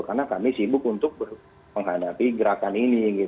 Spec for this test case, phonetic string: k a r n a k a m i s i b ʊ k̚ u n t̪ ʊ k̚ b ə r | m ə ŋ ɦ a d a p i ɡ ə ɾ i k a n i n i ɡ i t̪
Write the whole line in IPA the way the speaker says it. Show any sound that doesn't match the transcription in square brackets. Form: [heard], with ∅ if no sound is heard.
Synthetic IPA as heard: k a r n a k a m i s i b ʊ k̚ u n t̪ ʊ k̚ b ə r | m ə ŋ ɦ a d a p i ɡ ə ɾ [a] k a n i n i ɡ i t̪